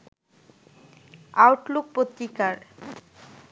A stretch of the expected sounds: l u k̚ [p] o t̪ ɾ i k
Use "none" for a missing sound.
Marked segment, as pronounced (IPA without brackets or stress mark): p